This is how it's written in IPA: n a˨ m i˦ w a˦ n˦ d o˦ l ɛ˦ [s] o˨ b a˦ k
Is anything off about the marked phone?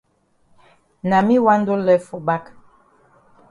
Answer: yes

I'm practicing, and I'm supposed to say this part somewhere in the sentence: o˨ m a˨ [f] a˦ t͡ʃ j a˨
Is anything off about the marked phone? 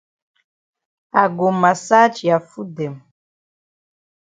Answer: yes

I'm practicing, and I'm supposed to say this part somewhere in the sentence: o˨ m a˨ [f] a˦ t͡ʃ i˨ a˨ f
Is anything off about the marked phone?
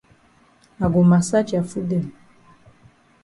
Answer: yes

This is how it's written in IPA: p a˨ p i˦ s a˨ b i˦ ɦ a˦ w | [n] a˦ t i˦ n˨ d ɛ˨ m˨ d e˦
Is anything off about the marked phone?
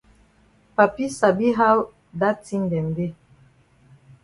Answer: yes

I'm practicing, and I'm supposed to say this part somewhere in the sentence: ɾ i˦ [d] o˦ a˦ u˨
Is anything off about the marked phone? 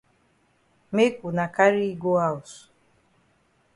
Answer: yes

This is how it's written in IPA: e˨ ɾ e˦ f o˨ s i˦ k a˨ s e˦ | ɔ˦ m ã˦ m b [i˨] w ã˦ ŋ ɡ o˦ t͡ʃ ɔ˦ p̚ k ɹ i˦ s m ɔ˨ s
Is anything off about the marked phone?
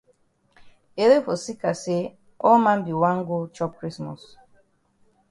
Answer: no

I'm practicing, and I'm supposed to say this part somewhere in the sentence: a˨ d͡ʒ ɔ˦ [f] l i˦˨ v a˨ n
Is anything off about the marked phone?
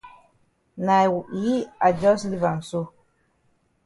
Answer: yes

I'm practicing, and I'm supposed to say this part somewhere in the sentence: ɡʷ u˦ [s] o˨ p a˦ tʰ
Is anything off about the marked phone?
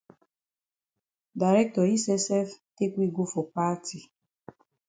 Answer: yes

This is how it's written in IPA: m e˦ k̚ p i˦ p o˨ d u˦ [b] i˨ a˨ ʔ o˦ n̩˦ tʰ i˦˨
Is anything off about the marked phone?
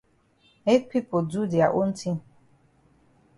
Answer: yes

